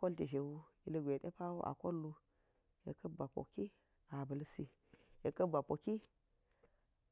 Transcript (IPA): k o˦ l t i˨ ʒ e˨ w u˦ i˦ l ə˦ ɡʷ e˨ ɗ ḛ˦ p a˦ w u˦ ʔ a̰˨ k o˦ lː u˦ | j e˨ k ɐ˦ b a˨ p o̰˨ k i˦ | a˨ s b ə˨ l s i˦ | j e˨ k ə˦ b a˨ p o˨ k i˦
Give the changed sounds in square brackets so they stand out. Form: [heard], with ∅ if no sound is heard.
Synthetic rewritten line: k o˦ l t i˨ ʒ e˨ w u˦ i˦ l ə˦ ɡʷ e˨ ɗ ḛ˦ p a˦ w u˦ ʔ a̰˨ k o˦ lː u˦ | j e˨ k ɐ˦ b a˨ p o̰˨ k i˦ | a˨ [∅] b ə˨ l s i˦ | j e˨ k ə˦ b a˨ p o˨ k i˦

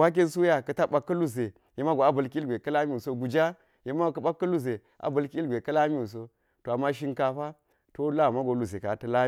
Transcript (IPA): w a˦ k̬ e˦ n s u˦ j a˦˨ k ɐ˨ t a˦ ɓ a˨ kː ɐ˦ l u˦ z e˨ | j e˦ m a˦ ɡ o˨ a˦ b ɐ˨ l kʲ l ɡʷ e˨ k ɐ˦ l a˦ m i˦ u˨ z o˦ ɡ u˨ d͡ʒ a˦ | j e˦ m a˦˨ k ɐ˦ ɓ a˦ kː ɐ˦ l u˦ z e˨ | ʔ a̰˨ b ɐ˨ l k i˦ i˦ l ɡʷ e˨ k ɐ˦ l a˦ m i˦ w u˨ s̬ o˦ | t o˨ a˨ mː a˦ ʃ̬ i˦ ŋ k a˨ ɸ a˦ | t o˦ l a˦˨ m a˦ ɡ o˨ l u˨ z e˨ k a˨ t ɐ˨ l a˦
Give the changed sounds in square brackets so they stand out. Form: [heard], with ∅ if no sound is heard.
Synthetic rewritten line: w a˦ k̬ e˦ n s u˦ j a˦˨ k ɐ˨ t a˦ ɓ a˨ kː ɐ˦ l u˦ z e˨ | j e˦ m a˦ ɡ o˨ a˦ b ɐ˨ l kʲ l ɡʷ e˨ k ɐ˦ l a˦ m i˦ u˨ [s] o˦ ɡ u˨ d͡ʒ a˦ | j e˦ m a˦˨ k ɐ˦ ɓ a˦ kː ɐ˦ l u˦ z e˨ | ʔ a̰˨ b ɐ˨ l k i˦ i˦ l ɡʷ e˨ k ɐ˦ l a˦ m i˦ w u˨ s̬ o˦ | t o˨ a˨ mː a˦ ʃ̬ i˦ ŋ k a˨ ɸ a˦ | t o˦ l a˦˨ m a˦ ɡ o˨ l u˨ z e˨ k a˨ t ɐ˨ l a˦

